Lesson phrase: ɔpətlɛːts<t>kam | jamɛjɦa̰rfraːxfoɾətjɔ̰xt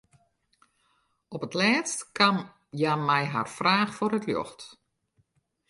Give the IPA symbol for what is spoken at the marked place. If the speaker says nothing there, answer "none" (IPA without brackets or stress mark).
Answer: t